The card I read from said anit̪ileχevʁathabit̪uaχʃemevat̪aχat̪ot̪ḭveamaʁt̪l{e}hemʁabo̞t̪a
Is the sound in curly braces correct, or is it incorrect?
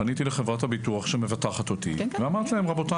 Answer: incorrect